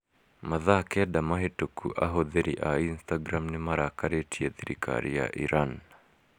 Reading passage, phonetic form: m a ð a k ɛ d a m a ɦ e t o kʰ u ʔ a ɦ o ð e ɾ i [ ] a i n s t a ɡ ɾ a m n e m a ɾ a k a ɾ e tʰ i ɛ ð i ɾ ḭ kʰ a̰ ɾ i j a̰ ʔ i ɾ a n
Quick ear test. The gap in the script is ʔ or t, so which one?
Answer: ʔ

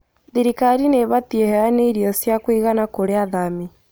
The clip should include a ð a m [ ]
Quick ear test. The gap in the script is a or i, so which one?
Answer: i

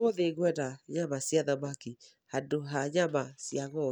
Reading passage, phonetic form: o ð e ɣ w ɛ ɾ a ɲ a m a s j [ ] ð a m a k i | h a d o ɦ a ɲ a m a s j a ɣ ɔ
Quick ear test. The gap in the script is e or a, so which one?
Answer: a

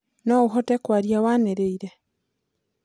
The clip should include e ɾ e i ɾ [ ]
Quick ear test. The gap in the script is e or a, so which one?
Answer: e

